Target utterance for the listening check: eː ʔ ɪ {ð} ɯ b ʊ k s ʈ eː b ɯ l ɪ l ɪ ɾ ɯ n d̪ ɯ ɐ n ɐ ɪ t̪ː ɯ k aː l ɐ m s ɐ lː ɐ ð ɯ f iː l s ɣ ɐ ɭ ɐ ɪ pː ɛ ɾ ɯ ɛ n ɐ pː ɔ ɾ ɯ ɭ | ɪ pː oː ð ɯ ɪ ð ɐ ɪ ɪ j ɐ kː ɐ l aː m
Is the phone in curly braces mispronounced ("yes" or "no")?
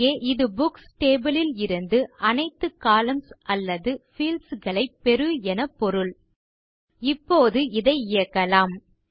no